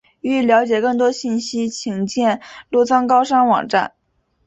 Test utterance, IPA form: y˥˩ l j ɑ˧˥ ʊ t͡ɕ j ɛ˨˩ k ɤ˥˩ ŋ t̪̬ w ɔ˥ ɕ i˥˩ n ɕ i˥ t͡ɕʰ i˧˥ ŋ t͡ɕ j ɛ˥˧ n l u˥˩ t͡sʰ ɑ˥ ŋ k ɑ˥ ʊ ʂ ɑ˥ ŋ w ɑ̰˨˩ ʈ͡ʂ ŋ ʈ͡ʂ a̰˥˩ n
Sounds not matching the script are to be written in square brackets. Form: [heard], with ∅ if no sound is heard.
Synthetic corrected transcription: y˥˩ l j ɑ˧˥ ʊ t͡ɕ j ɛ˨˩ k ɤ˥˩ ŋ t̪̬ w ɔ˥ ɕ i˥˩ n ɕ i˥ t͡ɕʰ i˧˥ ŋ t͡ɕ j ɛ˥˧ n l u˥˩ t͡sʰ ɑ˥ ŋ k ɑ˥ ʊ ʂ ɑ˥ ŋ w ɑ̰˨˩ [∅] ŋ ʈ͡ʂ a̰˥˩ n

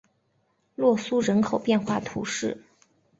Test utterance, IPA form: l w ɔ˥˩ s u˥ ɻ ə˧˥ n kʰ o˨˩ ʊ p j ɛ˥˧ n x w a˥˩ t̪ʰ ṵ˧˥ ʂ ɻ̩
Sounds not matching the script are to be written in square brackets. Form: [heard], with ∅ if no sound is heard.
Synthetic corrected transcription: l w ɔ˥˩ s u˥ ɻ ə˧˥ n kʰ o˨˩ ʊ p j ɛ˥˧ n x w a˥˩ t̪ʰ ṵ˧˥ ʂ ɻ̩

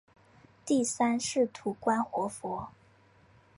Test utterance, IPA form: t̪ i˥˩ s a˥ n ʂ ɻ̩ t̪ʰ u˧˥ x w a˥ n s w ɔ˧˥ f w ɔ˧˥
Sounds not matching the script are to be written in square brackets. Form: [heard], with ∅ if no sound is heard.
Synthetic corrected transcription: t̪ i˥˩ s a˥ n ʂ ɻ̩ t̪ʰ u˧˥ [k] w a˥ n [x] w ɔ˧˥ f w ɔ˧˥

